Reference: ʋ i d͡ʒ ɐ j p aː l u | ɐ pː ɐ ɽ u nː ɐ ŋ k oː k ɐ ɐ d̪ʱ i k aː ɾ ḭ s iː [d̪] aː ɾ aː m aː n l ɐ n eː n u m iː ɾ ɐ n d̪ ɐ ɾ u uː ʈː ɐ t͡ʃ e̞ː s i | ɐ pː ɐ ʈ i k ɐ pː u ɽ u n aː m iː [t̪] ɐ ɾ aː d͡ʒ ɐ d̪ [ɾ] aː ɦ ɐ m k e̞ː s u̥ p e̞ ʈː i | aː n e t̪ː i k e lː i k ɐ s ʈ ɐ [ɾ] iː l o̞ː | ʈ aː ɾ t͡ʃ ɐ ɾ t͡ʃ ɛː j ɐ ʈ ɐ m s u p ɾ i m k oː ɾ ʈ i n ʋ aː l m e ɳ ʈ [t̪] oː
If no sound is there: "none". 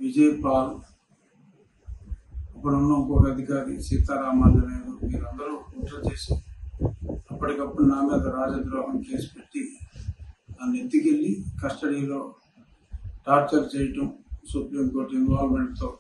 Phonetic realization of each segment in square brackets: t̪, d̪, ɾ, ɽ, t̪

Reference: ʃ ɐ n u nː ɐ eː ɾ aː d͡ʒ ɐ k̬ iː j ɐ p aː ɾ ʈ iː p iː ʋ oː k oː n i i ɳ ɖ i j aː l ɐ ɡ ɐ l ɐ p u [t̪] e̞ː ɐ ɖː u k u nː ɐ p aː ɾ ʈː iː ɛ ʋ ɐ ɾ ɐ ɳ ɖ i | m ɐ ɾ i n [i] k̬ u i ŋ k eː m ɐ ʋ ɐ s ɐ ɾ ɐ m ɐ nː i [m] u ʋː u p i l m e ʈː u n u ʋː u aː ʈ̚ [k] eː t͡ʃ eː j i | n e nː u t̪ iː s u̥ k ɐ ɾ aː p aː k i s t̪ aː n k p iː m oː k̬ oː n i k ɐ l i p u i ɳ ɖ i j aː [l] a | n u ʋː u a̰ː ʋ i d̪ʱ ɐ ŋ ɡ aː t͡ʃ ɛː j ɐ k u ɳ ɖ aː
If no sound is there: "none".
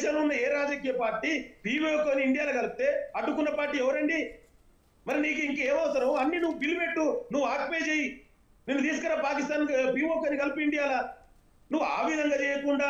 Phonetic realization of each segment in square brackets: t̪, iː, n, p, l

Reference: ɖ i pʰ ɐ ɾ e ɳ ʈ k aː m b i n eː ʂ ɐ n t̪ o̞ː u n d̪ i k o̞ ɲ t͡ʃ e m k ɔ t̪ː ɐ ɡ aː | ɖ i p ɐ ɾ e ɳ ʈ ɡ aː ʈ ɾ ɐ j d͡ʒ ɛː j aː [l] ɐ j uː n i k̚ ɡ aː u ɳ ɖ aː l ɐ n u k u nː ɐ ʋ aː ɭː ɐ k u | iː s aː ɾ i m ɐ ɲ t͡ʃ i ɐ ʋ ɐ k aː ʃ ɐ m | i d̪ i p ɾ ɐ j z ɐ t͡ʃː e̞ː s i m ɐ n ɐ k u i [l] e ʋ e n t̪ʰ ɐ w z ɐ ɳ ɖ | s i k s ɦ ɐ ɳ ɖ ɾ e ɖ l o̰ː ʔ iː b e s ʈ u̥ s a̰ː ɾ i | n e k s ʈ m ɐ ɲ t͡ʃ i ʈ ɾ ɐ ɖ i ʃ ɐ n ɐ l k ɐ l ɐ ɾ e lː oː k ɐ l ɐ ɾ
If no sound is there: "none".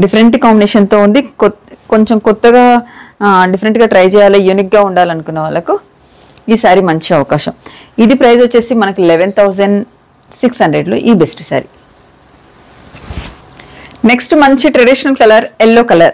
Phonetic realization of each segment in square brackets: l, l

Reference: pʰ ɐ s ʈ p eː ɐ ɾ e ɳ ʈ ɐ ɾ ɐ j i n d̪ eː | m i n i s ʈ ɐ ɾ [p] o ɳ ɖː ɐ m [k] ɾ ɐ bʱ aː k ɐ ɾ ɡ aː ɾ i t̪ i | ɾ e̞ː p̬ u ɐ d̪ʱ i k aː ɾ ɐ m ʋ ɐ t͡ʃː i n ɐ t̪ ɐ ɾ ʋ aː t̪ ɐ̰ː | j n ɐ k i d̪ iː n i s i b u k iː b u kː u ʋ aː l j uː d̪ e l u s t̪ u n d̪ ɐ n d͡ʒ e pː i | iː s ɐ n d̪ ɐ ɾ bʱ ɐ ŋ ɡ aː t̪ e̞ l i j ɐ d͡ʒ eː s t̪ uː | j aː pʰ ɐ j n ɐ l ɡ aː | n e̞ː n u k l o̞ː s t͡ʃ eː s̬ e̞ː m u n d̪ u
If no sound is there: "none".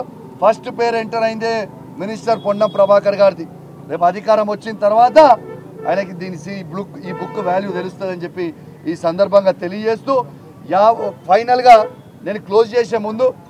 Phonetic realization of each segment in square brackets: p, p

